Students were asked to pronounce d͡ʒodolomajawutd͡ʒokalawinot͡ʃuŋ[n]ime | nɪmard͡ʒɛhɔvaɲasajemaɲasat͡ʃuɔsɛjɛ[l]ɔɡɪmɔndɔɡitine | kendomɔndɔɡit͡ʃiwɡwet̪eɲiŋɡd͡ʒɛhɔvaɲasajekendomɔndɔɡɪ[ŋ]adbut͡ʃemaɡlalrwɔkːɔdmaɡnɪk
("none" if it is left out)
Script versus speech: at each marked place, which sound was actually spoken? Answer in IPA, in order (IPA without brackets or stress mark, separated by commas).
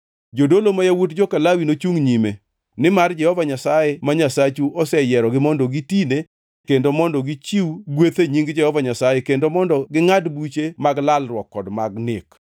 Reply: ɲ, ɾ, ŋ